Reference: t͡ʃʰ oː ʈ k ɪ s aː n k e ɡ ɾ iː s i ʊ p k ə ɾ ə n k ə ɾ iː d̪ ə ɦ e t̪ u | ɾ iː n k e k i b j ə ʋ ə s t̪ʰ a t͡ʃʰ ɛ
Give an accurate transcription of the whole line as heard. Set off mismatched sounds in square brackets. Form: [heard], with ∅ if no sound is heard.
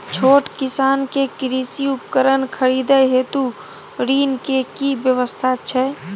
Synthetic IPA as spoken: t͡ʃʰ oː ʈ k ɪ s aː n k e [k] ɾ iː s i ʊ p k ə ɾ ə n [kʰ] ə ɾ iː d̪ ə ɦ e t̪ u | ɾ iː n k e k i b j ə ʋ ə s t̪ʰ a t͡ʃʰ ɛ

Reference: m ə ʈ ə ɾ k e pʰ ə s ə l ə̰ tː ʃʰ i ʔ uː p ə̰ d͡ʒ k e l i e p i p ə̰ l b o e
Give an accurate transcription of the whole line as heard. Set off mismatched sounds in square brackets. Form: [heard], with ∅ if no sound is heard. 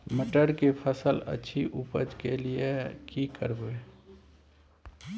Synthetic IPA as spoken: m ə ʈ ə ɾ k e pʰ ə s ə l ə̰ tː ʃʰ i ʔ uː p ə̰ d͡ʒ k e l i e [k] i [k] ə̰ [ɾ] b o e

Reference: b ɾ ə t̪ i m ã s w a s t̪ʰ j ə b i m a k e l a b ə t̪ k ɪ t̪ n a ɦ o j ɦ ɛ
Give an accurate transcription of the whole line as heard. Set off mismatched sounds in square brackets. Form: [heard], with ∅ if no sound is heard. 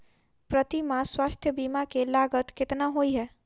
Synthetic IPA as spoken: [p] ɾ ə t̪ i m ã s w a s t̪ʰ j ə b i m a k e l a [ɡ] ə t̪ k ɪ t̪ n a ɦ o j ɦ ɛ

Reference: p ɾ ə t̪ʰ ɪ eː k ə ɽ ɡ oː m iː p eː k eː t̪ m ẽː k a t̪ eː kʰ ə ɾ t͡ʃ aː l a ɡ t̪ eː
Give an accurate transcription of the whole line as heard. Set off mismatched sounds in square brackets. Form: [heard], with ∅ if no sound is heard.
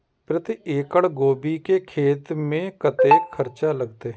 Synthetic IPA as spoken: p ɾ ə [t̪] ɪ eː k ə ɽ ɡ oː [b] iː [k] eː [kʰ] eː t̪ m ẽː k [ə] t̪ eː kʰ ə ɾ t͡ʃ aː l [ə] ɡ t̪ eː

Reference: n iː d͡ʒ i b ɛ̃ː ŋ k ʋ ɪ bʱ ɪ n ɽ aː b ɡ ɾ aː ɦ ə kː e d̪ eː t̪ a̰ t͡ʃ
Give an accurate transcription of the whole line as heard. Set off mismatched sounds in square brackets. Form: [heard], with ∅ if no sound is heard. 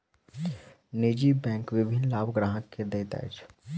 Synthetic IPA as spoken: n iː d͡ʒ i b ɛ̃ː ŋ k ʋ ɪ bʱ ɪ n [l] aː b ɡ ɾ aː ɦ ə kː e d̪ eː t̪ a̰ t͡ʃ

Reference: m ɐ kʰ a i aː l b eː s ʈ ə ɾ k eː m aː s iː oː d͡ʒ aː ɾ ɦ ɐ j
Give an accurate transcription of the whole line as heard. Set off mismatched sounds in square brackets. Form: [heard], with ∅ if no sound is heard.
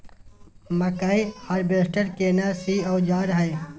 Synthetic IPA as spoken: m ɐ [k] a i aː [ɾ] b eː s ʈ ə ɾ k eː [n] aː s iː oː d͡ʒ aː ɾ ɦ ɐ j

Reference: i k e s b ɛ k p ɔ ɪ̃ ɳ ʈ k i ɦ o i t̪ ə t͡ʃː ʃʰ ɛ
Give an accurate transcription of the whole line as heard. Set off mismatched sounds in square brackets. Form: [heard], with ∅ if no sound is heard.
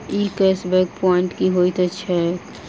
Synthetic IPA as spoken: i k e s b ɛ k p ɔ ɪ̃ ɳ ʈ k i ɦ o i t̪ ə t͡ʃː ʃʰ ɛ

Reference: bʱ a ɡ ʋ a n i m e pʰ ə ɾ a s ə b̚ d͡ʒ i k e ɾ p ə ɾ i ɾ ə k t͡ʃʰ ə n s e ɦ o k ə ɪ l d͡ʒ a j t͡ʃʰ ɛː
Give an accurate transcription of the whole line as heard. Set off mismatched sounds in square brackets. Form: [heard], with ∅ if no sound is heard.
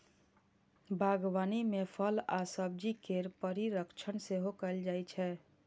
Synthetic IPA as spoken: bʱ a ɡ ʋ a n i m e pʰ ə [l] a s ə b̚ d͡ʒ i k e ɾ p ə ɾ i ɾ ə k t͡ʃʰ ə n s e ɦ o k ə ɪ l d͡ʒ a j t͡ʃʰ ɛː

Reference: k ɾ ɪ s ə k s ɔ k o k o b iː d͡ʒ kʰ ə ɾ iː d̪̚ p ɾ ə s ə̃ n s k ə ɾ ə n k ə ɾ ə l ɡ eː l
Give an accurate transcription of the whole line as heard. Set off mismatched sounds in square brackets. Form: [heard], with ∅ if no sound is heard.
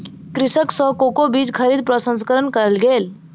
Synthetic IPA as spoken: k ɾ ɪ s ə k s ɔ k o k o b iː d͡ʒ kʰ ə ɾ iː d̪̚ p ɾ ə s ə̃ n s k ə ɾ ə n k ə ɾ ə l ɡ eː l

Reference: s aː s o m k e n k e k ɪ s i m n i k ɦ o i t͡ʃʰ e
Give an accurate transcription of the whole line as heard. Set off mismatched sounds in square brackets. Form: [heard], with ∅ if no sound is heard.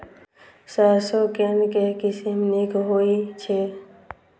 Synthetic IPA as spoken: s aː s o [∅] k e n k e k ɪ s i m n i k ɦ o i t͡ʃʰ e

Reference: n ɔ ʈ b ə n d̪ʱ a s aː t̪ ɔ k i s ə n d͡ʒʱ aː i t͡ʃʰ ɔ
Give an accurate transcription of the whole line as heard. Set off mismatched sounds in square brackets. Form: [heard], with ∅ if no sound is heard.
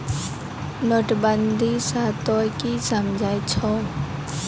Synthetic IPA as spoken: n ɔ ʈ b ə n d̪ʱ [i] s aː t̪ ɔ k i s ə [m] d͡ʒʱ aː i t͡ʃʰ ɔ

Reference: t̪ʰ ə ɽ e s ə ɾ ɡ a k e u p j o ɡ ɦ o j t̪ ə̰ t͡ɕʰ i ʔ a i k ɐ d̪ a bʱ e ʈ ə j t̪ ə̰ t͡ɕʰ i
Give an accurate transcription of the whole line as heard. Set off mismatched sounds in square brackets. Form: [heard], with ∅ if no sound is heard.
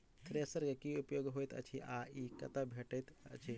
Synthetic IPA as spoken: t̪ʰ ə [ɾ] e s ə ɾ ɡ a k [i] u p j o ɡ ɦ o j t̪ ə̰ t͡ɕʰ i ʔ a i k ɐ [t̪] a bʱ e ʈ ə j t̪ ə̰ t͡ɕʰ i

